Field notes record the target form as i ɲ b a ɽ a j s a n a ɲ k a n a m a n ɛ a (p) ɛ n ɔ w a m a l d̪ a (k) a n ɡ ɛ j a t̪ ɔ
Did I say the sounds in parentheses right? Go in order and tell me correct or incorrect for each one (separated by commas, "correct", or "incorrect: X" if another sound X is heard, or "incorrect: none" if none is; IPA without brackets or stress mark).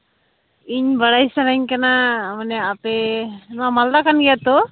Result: correct, correct